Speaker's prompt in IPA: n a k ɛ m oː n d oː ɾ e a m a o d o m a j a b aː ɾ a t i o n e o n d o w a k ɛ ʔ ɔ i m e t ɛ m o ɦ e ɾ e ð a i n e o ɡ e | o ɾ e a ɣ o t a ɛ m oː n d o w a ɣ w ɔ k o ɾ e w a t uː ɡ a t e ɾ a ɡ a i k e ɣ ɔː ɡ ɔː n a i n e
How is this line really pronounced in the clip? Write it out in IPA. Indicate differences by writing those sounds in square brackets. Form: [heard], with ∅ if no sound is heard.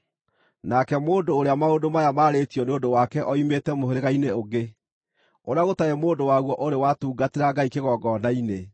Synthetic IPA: n a k ɛ m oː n d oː ɾ e a m a o d o m a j a [m] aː ɾ [e] t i [ɔ] n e o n d o w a k ɛ ʔ ɔ i m e t ɛ m o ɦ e ɾ e [ɣ] a i n e o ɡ e | o ɾ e a ɣ o t a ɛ m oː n d o w a ɣ w ɔ [ʔ] o ɾ e w a t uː ɡ a t e ɾ a ɡ a i k e ɣ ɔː ɡ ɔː n a i n e